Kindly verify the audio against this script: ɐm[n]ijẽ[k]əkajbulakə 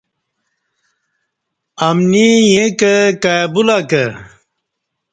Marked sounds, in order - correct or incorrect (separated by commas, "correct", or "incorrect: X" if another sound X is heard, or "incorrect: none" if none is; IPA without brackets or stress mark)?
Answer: correct, correct